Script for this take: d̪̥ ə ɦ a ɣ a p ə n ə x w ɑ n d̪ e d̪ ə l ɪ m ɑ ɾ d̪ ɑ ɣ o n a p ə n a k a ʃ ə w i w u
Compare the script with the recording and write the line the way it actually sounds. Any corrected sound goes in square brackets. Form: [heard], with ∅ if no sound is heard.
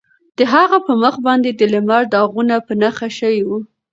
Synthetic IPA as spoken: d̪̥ ə ɦ a ɣ a p ə [m] ə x [b] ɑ n d̪ e d̪ ə l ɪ m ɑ ɾ d̪ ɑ ɣ [u] n a p ə n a [x] a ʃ ə w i w u